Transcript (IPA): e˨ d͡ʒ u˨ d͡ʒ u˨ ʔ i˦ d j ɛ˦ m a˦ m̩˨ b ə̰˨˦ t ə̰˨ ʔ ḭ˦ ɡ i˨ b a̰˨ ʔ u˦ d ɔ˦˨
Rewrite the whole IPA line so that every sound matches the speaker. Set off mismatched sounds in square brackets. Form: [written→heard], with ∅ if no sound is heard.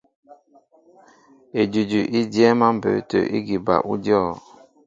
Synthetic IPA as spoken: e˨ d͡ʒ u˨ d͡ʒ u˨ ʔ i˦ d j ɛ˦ m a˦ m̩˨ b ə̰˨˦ t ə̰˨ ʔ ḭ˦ ɡ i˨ b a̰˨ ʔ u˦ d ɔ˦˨